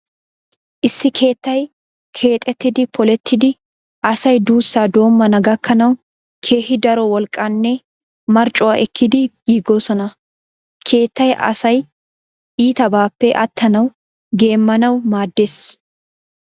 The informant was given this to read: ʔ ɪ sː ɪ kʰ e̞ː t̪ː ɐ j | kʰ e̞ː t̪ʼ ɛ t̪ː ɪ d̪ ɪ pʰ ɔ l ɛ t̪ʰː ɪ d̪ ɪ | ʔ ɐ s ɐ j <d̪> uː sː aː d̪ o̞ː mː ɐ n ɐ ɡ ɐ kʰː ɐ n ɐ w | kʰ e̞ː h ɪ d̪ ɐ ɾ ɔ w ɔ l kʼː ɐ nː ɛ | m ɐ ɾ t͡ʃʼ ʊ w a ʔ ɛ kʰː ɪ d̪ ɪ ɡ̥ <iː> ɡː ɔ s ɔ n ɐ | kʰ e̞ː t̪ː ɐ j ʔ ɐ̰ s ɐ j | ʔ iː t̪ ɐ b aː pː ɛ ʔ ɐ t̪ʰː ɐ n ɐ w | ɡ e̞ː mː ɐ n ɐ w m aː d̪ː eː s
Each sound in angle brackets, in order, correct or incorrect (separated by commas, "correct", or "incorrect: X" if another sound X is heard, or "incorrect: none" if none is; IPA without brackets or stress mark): correct, correct